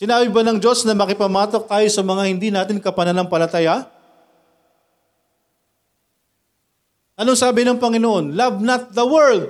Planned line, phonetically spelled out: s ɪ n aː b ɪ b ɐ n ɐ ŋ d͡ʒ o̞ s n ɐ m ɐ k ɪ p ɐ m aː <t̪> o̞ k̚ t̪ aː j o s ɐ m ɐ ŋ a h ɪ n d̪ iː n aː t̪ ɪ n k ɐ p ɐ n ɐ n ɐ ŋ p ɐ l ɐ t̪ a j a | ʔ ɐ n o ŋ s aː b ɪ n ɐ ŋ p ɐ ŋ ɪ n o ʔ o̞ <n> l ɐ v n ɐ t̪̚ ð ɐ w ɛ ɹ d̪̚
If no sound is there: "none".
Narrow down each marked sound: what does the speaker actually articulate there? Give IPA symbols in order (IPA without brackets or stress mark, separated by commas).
t̪, n